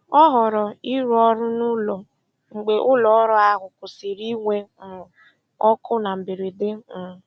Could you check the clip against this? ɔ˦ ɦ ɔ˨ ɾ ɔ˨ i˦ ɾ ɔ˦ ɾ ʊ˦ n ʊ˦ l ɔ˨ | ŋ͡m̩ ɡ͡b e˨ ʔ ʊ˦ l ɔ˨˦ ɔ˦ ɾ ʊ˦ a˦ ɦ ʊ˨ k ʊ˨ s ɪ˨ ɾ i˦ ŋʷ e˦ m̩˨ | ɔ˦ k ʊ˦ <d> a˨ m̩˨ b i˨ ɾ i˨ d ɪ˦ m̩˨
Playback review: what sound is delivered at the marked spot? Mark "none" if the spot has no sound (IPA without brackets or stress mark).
n